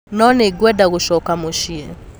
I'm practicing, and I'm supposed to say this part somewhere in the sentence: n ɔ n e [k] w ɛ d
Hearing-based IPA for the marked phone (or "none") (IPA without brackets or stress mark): ɡ